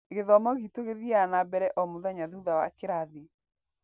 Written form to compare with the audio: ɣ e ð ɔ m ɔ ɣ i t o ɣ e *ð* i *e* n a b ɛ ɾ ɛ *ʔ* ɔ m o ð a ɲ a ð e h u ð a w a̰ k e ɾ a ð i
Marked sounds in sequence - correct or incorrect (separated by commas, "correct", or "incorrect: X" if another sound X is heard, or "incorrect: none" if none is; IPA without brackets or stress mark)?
correct, incorrect: a, correct